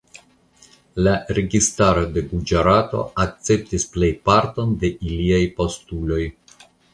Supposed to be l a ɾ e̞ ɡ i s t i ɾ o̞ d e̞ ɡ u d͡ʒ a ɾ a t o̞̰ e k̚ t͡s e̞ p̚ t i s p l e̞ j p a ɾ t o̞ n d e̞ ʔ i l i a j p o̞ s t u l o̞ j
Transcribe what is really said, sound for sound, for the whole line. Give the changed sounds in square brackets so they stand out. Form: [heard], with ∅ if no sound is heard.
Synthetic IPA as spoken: l a ɾ e̞ ɡ i s t [a] ɾ o̞ d e̞ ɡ u d͡ʒ a ɾ a t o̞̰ [a] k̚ t͡s e̞ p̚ t i s p l e̞ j p a ɾ t o̞ n d e̞ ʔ i l i a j p o̞ s t u l o̞ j